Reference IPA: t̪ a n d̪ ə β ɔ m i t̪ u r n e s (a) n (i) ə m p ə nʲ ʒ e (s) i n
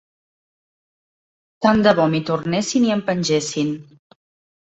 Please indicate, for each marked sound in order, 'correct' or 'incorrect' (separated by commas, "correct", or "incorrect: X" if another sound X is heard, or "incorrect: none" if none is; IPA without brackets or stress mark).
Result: incorrect: i, correct, correct